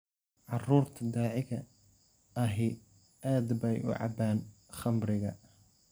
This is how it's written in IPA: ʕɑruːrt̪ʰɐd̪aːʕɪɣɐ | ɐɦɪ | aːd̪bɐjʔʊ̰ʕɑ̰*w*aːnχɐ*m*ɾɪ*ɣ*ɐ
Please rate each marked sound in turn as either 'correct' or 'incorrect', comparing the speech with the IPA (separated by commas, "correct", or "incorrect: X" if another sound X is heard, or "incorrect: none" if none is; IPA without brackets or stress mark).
incorrect: b, correct, correct